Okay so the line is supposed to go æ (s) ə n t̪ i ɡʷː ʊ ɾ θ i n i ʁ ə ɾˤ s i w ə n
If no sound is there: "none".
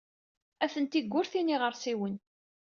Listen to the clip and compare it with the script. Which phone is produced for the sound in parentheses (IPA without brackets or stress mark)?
θ